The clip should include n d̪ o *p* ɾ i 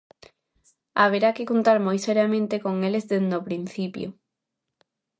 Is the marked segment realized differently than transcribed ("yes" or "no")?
no